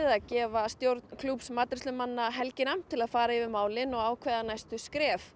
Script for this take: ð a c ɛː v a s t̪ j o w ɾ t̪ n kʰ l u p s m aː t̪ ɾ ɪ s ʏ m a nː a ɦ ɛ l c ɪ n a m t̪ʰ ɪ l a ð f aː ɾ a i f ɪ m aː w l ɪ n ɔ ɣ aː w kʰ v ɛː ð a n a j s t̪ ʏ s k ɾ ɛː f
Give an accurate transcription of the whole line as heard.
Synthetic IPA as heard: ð a c ɛː v a s t̪ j o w ɾ t̪ n kʰ l u p s m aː t̪ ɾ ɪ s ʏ m a nː a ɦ ɛ l c ɪ n a m t̪ʰ ɪ l a ð f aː ɾ a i v ɪ m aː w l ɪ n ɔ ɣ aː w kʰ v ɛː ð a n a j s t̪ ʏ s k ɾ ɛː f